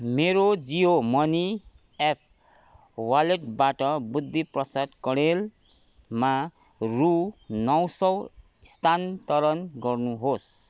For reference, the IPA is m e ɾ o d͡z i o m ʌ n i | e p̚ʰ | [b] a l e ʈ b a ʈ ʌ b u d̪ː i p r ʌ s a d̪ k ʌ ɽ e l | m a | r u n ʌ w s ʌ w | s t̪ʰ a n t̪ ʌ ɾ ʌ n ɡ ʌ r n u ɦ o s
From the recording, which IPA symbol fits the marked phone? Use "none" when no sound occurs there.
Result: w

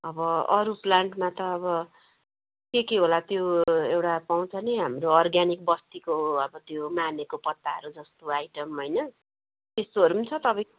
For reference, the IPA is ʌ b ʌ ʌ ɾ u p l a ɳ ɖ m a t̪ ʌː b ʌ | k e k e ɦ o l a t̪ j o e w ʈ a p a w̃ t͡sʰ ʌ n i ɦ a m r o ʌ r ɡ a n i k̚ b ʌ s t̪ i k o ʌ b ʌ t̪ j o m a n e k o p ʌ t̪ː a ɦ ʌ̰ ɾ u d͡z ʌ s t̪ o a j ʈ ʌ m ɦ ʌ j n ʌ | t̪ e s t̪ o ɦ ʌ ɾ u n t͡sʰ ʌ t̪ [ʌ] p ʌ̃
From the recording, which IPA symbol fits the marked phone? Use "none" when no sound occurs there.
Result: ʌ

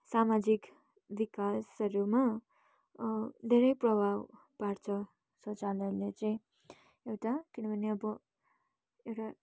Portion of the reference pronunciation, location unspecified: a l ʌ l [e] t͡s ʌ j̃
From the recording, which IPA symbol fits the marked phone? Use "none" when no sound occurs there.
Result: e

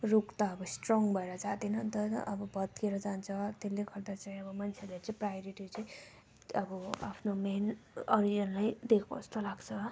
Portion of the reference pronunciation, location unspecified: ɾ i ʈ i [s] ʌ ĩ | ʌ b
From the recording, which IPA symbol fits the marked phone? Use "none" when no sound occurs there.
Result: t͡s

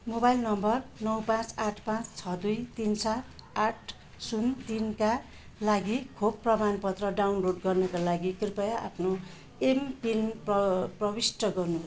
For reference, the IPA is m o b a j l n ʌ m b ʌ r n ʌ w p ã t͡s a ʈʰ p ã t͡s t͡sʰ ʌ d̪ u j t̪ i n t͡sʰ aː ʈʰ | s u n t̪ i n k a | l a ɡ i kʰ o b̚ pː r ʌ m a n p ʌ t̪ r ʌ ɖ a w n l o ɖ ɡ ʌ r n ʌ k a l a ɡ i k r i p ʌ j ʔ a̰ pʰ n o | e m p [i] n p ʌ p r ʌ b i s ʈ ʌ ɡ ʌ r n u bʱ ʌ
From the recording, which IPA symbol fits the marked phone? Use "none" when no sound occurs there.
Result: i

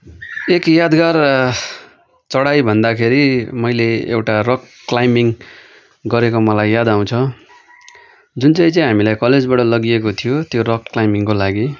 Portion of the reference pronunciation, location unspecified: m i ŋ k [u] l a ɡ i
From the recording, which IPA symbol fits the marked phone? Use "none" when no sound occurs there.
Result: o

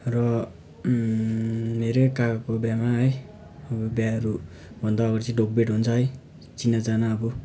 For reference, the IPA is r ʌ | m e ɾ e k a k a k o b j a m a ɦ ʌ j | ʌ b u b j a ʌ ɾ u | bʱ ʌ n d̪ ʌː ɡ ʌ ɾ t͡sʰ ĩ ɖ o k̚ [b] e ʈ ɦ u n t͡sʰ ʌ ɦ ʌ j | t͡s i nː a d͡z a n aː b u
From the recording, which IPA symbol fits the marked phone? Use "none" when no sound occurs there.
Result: b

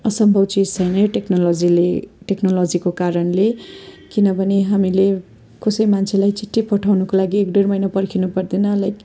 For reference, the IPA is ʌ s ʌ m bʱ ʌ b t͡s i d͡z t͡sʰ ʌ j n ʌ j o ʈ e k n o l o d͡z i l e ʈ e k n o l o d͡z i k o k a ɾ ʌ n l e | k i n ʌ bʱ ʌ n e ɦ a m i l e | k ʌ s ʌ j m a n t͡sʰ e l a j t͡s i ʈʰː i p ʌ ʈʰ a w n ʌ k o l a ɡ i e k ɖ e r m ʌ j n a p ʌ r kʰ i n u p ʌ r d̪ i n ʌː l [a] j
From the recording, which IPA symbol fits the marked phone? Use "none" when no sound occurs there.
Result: a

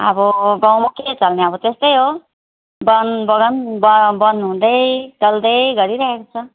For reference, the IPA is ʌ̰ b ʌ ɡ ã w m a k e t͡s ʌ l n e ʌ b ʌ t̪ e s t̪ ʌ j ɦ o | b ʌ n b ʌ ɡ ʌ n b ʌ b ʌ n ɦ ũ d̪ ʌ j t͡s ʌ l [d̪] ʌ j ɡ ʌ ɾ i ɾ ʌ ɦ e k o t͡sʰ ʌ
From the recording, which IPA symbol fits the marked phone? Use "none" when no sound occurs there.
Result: d̪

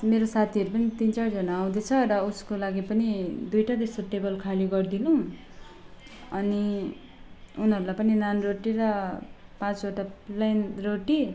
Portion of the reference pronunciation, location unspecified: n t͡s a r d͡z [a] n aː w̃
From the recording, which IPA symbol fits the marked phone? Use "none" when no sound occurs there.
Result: ʌ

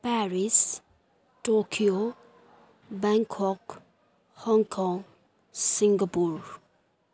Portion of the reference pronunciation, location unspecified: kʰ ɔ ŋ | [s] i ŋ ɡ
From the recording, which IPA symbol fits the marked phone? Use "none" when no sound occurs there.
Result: s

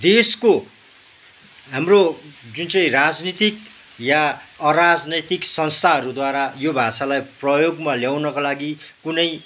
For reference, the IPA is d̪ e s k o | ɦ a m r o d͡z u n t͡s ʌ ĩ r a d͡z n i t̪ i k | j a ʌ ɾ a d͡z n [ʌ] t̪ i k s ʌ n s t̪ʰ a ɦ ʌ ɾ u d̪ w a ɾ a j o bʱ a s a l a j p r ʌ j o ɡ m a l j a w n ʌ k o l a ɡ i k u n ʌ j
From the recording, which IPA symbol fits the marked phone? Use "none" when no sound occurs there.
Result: ʌ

